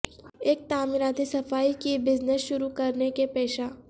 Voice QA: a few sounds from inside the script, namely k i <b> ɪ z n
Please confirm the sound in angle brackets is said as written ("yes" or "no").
yes